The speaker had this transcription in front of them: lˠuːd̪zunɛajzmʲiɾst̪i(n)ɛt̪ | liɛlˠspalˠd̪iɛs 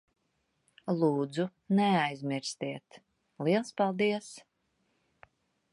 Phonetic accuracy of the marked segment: incorrect: none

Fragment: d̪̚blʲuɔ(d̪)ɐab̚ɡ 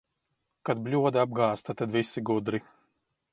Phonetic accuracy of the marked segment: correct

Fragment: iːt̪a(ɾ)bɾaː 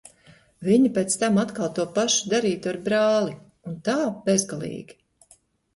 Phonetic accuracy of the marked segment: correct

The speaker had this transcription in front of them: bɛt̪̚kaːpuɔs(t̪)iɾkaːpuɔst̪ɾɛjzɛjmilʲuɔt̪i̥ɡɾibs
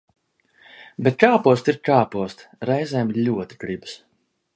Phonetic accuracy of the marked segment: correct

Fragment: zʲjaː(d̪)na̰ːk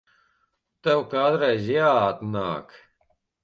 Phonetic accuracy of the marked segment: incorrect: t̪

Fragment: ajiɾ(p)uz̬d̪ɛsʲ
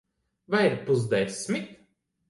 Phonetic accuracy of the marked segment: correct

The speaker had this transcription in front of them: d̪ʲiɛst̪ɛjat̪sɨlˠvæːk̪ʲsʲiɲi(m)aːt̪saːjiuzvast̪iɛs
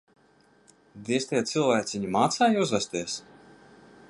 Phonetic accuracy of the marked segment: correct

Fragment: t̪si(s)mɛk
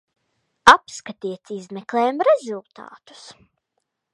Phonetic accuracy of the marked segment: incorrect: z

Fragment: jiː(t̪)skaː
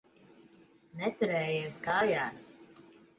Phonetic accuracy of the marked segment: incorrect: none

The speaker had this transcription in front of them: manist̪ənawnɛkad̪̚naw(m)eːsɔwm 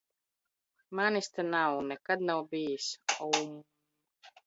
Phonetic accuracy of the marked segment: incorrect: b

